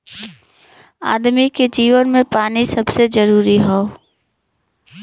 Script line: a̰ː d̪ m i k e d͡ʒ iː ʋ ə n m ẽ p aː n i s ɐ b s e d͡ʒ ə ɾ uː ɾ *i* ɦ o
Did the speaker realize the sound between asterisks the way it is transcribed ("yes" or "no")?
yes